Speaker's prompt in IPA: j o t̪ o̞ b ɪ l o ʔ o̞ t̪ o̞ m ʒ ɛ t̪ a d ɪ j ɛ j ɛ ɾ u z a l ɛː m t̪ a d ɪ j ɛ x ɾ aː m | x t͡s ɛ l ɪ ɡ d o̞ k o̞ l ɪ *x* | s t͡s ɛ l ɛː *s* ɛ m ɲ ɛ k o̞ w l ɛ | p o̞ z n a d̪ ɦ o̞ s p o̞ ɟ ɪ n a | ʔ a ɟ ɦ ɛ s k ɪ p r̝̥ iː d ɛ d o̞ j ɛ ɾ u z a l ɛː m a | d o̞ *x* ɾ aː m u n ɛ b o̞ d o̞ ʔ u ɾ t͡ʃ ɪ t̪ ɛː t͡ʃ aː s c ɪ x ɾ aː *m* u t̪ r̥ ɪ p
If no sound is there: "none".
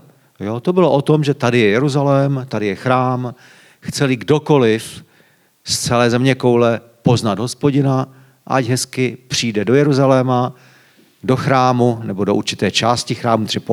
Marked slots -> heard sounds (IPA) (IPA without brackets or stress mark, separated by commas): f, z, x, m